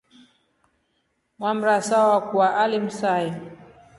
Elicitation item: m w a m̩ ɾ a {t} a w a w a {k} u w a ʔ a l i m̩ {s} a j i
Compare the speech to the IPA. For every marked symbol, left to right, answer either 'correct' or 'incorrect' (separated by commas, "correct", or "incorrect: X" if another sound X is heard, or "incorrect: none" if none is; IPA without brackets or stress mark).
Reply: incorrect: s, correct, correct